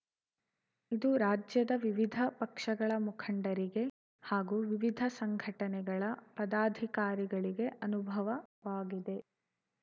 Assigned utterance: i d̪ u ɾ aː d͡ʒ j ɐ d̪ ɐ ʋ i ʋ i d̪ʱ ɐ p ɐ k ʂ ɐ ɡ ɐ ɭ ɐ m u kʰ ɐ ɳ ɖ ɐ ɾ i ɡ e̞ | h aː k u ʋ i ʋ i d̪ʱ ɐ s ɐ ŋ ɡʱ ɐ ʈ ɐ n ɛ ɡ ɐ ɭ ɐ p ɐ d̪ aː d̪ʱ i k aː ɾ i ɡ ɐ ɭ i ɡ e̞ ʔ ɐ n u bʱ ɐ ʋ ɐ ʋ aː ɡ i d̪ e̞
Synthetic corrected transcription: i d̪ u ɾ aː d͡ʒ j ɐ d̪ ɐ ʋ i ʋ i d̪ʱ ɐ p ɐ k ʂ ɐ ɡ ɐ ɭ ɐ m u kʰ ɐ ɳ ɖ ɐ ɾ i ɡ e̞ | h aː ɡ u ʋ i ʋ i d̪ʱ ɐ s ɐ ŋ ɡʱ ɐ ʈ ɐ n ɛ ɡ ɐ ɭ ɐ p ɐ d̪ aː d̪ʱ i k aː ɾ i ɡ ɐ ɭ i ɡ e̞ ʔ ɐ n u bʱ ɐ ʋ ɐ ʋ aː ɡ i d̪ e̞